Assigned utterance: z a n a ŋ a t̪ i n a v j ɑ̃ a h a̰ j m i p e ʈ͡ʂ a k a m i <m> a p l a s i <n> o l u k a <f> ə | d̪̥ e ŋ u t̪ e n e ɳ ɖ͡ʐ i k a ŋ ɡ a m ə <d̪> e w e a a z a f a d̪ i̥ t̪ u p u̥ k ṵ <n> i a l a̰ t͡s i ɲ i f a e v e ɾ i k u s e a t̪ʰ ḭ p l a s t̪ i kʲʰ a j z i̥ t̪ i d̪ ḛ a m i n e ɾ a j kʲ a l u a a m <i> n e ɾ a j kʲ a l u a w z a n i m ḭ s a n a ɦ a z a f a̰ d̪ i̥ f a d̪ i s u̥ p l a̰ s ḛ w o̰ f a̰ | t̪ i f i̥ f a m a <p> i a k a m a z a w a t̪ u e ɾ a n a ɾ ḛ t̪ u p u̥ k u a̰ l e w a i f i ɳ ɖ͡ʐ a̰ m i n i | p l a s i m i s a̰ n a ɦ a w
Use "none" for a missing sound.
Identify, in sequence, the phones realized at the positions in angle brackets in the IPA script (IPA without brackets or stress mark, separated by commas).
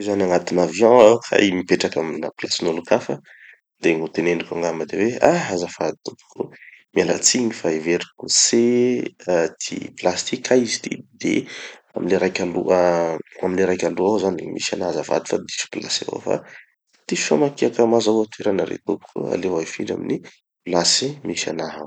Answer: n, n, f, d̪, m, i, k